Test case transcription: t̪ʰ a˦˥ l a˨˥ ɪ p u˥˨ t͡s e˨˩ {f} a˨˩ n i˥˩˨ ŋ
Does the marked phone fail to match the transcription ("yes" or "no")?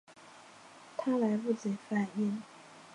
no